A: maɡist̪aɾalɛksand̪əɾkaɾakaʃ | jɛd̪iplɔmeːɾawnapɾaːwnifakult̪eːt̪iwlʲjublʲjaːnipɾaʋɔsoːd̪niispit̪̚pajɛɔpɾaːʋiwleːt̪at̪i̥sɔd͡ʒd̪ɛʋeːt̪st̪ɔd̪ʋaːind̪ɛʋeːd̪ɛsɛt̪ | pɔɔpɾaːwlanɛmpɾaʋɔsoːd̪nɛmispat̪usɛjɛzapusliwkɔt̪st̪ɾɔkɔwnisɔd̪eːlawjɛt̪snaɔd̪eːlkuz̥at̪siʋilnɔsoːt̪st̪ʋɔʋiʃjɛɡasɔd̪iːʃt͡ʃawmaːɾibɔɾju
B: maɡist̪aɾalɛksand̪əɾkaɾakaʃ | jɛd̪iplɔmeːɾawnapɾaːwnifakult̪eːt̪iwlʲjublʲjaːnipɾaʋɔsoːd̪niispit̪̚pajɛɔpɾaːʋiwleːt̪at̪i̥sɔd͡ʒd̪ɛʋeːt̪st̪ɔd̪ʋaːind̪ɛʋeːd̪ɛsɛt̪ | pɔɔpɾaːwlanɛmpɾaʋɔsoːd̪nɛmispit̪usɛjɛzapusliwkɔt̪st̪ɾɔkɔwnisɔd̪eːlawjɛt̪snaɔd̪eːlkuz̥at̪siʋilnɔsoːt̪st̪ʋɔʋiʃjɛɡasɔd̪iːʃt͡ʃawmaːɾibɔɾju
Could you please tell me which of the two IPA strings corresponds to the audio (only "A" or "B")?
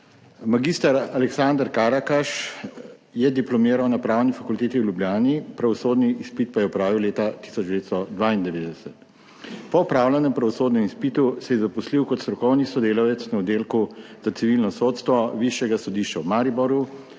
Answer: B